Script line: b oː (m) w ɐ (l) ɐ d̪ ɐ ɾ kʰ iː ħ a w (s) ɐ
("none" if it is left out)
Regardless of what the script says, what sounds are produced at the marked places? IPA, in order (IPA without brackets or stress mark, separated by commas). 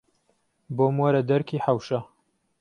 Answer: m, ɾ, ʃ